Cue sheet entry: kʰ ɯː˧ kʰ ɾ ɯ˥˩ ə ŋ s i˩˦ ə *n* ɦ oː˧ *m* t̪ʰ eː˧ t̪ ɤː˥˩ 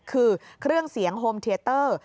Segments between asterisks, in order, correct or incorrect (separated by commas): incorrect, correct